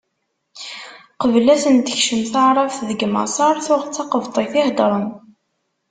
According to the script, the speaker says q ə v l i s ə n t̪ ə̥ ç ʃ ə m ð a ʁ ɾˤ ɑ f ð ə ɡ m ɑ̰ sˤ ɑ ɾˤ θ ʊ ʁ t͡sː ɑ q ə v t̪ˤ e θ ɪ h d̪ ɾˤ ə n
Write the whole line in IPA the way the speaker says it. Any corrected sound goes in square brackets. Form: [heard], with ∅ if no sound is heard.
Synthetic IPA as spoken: q ə v l [æ] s ə n t̪ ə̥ ç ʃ ə m [θ] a [ʕ] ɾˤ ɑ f ð ə ɡ m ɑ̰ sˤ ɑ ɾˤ θ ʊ ʁ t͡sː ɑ q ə v t̪ˤ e θ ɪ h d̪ ɾˤ ə n